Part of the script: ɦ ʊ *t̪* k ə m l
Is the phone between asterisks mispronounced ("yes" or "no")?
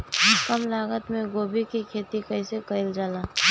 yes